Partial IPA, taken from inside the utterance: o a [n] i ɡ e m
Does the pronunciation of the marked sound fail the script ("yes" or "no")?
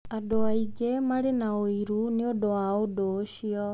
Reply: yes